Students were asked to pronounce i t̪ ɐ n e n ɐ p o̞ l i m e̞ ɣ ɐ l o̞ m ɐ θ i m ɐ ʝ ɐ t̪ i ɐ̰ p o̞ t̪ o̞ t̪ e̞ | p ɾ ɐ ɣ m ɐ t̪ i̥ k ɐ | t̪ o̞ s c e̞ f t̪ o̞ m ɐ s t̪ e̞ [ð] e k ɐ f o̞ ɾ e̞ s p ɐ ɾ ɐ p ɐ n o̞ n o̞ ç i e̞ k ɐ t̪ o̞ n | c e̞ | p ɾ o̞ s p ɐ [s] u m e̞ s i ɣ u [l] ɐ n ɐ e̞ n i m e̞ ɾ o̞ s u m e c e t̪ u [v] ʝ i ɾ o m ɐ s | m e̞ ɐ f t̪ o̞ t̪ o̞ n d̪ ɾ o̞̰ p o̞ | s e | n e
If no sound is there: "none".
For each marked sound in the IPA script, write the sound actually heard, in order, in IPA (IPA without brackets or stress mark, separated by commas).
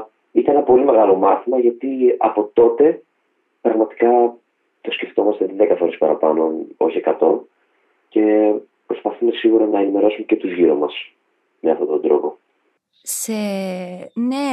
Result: ð, θ, ɾ, z